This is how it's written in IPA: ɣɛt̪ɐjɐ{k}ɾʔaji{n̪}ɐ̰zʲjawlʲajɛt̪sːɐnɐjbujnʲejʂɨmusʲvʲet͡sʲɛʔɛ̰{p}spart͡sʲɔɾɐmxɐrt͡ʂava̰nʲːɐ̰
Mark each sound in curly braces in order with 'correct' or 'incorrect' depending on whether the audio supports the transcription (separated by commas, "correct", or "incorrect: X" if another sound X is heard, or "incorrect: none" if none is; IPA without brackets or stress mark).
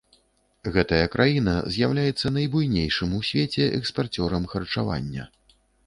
correct, correct, incorrect: k